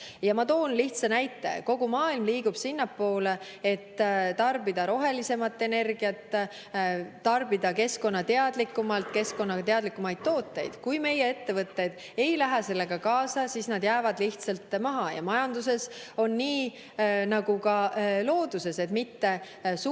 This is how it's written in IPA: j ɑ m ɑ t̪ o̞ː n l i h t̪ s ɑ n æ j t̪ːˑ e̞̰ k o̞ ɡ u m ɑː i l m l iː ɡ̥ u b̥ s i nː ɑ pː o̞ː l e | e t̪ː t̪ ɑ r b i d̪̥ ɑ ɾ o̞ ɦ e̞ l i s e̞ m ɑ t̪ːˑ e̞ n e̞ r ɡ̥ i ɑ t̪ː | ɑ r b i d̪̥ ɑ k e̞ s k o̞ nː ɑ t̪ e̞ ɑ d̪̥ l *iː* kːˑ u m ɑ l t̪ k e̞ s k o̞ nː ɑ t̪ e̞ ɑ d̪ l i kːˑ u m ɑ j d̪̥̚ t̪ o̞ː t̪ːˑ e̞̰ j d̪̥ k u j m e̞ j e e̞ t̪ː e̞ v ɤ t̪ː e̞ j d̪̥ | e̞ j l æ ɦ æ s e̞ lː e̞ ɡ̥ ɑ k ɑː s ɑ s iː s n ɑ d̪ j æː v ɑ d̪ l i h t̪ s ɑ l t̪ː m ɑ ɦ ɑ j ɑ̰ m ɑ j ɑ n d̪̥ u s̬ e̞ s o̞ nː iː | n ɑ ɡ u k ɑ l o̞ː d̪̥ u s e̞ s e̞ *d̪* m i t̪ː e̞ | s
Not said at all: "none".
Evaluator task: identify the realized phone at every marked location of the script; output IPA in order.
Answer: i, t̪

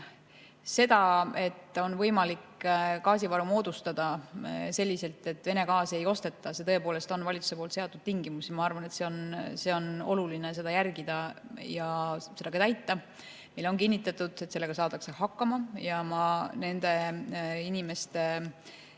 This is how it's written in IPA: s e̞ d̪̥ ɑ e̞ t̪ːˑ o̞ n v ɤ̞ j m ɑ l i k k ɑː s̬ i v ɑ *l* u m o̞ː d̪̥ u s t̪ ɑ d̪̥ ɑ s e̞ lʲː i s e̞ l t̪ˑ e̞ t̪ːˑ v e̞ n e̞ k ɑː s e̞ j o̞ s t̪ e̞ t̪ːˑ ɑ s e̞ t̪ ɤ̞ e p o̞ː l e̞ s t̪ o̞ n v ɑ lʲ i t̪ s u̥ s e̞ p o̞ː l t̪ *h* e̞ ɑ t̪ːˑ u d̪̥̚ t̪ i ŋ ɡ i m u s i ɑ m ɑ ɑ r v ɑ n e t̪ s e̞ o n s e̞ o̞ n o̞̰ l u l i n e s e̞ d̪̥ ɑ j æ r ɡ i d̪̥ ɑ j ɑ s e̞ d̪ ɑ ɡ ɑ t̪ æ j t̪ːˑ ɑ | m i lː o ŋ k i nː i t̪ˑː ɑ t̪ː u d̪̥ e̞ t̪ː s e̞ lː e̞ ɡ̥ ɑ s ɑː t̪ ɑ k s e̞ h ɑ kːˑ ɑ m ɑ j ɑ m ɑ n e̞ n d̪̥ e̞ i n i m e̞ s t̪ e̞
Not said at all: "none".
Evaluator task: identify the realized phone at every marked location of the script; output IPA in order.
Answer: ɾ, s

